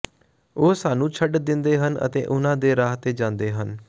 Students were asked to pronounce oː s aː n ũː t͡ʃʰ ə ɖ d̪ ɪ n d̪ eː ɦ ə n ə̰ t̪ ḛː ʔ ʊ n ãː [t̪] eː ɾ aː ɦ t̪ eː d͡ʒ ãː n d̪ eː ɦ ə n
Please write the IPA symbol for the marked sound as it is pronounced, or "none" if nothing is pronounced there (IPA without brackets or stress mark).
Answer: d̪